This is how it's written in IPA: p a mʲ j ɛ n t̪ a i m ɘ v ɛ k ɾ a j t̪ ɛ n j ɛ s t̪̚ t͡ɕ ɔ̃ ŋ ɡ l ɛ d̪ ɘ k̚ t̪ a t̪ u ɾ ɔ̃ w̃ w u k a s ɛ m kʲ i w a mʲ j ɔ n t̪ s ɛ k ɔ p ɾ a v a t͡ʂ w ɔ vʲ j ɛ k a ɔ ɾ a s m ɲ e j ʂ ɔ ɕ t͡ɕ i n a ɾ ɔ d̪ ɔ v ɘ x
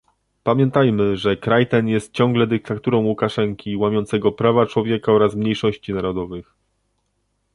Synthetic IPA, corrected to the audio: p a mʲ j ɛ n t̪ a j m ɘ ʐ ɛ k ɾ a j t̪ ɛ n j ɛ s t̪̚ t͡ɕ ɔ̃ ŋ ɡ l ɛ d̪ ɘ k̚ t̪ a t̪ u ɾ ɔ̃ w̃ w u k a ʂ ɛ ŋ kʲ i w a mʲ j ɔ n t̪ s ɛ ɡ ɔ p ɾ a v a t͡ʂ w ɔ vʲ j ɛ k a ɔ ɾ a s m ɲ e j ʂ ɔ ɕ t͡ɕ i n a ɾ ɔ d̪ ɔ v ɘ x